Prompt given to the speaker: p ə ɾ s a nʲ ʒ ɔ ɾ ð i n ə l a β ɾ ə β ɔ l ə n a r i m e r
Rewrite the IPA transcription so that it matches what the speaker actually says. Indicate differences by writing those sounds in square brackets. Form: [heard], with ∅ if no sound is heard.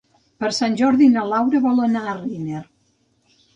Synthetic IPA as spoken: p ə ɾ s a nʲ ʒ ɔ ɾ ð i n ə l a [w] ɾ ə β ɔ l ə n a r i [n] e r